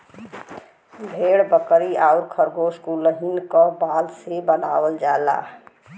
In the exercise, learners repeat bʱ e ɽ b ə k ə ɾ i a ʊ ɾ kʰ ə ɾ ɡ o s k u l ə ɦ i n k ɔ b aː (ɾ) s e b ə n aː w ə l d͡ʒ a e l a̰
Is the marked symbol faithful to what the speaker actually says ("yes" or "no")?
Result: no